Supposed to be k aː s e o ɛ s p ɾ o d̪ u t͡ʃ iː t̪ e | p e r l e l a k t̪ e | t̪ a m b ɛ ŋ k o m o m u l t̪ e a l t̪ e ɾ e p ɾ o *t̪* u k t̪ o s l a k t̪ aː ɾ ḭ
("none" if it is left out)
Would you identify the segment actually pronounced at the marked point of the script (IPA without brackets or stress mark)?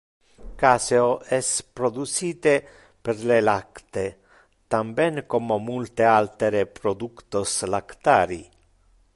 d̪